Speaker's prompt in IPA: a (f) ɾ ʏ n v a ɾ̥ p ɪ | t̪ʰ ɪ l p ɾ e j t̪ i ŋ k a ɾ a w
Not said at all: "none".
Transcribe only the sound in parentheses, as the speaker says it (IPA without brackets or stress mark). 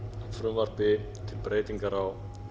f